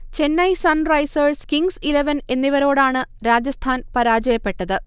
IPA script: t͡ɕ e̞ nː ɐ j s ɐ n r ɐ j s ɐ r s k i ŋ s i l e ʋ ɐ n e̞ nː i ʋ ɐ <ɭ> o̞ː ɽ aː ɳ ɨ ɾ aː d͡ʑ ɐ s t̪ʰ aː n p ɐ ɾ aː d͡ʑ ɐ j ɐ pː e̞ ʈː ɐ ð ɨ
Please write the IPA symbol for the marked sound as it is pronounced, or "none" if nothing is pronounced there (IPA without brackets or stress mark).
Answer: ɾ